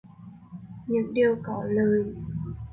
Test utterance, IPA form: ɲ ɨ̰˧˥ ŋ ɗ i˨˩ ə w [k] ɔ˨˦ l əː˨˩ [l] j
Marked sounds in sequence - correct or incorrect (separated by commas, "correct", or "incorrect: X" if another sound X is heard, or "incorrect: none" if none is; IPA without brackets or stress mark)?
correct, incorrect: none